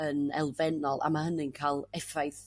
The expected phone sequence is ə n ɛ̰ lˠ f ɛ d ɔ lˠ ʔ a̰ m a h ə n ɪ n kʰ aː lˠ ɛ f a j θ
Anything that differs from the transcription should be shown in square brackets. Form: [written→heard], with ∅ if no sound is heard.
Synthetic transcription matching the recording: ə n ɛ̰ lˠ [f→v] ɛ [d→n] ɔ lˠ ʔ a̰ m a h ə n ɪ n kʰ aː lˠ ɛ f a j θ